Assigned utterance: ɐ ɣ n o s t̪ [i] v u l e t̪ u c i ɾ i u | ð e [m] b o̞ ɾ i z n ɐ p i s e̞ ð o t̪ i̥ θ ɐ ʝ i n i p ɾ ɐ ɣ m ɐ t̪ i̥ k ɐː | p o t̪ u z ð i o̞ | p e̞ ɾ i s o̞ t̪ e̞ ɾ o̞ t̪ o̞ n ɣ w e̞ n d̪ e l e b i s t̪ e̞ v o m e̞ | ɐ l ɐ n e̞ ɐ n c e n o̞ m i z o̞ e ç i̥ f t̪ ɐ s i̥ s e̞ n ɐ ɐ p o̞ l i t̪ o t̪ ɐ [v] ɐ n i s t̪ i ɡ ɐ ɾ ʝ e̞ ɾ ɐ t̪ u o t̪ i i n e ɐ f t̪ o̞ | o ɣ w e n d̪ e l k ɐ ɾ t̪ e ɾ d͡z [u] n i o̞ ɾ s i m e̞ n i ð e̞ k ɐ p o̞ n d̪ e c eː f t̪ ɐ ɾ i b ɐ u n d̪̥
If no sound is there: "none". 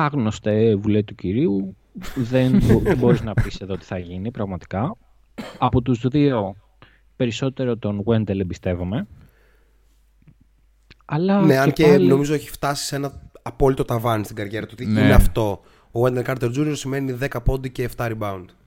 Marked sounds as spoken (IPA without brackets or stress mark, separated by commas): e, n, v, u